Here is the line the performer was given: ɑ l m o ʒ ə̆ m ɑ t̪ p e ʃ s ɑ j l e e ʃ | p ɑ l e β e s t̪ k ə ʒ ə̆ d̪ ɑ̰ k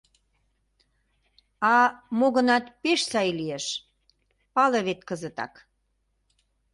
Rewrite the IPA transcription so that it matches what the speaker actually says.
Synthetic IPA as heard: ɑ m o ɣ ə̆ n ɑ t̪ p e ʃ s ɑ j l i e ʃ | p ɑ l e β e t̪ k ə z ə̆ t̪ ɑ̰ k